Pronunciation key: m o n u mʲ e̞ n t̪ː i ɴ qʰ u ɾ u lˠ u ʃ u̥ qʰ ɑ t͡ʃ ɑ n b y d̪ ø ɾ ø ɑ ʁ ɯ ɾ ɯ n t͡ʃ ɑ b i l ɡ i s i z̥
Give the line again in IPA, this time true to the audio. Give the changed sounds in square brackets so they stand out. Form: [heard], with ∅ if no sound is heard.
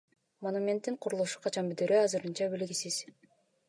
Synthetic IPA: m o n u mʲ e̞ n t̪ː i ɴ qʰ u ɾ u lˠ u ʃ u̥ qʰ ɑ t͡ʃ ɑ n b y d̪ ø ɾ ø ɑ [z] ɯ ɾ ɯ n t͡ʃ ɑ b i l ɡ i s i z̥